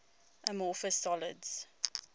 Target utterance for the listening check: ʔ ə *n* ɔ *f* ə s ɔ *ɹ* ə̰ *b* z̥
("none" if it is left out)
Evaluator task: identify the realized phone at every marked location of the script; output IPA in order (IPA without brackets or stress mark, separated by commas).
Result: m, f, l, d